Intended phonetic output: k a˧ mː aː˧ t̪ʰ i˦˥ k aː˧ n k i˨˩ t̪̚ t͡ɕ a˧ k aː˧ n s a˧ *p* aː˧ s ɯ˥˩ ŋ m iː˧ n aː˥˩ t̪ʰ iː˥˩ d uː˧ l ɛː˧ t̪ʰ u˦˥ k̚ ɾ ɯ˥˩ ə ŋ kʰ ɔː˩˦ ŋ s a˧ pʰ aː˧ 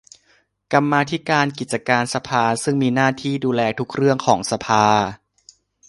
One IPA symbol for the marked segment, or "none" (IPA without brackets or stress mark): pʰ